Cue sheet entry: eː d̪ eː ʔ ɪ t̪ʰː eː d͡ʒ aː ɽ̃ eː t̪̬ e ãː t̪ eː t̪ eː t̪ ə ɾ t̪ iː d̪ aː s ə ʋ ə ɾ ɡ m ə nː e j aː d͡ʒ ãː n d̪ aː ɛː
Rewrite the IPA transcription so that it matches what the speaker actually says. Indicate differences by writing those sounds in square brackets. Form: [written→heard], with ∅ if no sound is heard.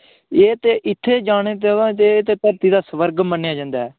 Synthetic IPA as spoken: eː [d̪→t̪] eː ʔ ɪ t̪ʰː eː d͡ʒ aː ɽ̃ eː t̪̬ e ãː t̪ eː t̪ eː t̪ ə ɾ t̪ iː d̪ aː s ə ʋ ə ɾ ɡ m ə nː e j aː d͡ʒ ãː n d̪ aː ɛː